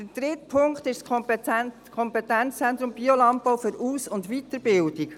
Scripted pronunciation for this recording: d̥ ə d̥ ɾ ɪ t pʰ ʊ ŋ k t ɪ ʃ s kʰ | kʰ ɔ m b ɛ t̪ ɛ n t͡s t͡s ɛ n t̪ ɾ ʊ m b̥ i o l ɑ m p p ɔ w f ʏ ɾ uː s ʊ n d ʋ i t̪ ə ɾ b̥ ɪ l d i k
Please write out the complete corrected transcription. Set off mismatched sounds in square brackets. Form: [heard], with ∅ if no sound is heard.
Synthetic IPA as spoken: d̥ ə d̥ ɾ ɪ t pʰ ʊ ŋ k t ɪ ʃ s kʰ | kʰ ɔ m [p] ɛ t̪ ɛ n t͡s t͡s ɛ n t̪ ɾ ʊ m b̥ i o l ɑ m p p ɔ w f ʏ ɾ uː s ʊ n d ʋ i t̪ ə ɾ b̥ ɪ l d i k